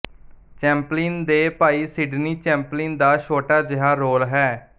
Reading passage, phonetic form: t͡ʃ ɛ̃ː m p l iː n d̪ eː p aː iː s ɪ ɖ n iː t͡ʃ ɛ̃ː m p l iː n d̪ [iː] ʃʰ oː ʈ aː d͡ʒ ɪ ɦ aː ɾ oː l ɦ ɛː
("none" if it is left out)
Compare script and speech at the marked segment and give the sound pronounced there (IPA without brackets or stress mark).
aː